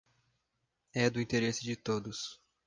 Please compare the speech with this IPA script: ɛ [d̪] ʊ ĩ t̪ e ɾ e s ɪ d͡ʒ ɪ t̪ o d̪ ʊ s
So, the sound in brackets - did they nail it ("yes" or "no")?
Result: yes